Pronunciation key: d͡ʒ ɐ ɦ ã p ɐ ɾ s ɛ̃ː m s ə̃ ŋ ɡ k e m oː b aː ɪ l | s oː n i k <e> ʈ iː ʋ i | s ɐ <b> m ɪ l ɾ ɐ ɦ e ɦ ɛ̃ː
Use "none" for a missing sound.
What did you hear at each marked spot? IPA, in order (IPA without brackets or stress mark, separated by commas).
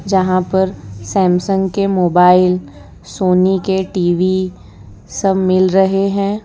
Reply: e, b